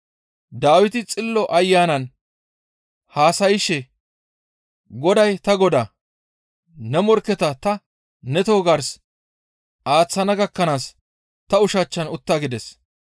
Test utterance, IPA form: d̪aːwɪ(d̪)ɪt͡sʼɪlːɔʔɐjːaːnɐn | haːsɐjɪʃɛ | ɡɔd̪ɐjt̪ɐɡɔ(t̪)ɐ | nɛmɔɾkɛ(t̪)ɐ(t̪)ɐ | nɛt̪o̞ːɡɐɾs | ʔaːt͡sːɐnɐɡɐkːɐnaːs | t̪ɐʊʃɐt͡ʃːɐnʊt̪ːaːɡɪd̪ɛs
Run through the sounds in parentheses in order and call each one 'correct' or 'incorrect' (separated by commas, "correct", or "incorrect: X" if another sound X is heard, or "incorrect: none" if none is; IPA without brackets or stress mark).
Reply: incorrect: t̪, incorrect: d̪, correct, correct